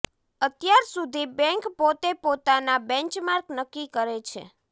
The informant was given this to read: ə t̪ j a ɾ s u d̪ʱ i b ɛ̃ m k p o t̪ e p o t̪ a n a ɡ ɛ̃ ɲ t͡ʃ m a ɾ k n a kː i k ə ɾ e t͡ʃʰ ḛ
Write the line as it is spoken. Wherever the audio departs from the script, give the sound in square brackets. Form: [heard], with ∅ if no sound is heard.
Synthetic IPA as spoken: ə t̪ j a ɾ s u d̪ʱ i b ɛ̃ [ŋ] k p o t̪ e p o t̪ a n a [b] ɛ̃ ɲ t͡ʃ m a ɾ k n [ə] kː i k ə ɾ e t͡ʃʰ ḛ